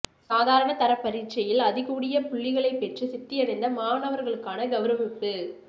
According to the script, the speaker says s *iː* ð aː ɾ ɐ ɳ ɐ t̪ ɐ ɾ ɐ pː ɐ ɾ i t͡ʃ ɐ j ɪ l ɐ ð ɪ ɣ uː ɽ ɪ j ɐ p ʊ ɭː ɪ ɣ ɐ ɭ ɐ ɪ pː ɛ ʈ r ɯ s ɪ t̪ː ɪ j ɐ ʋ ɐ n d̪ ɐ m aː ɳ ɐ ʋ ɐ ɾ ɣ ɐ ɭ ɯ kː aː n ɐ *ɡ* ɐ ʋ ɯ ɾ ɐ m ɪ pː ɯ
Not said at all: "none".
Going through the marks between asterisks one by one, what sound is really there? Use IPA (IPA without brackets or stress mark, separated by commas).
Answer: aː, ɡ